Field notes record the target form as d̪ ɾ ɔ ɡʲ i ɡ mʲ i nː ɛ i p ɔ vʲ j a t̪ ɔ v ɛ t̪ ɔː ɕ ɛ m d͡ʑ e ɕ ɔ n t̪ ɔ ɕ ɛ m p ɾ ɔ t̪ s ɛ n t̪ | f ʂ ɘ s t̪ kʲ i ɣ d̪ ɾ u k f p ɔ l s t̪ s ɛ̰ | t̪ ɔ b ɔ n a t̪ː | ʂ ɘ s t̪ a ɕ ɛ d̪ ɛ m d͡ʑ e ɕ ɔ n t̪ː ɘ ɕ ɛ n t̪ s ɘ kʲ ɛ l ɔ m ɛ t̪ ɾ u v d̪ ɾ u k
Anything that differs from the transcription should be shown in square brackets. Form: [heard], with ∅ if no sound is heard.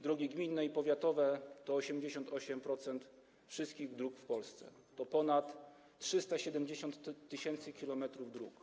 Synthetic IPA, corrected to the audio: d̪ ɾ ɔ ɡʲ i ɡ mʲ i nː ɛ i p ɔ vʲ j a t̪ ɔ v ɛ t̪ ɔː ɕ ɛ m d͡ʑ e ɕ ɔ n t̪ ɔ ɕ ɛ m p ɾ ɔ t̪ s ɛ n t̪ | f ʂ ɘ s t̪ kʲ i ɣ d̪ ɾ u k f p ɔ l s t̪ s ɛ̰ | t̪ ɔ [p] ɔ n a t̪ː | ʂ ɘ s t̪ a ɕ ɛ d̪ ɛ m d͡ʑ e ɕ ɔ n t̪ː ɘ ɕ ɛ n t̪ s ɘ kʲ [i] l ɔ m ɛ t̪ ɾ u v d̪ ɾ u k